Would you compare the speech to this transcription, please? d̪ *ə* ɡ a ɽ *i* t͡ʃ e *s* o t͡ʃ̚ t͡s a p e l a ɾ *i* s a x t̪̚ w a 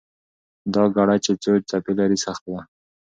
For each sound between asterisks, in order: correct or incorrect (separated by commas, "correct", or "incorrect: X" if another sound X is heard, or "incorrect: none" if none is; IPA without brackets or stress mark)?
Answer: incorrect: ɑ, incorrect: a, incorrect: t͡s, correct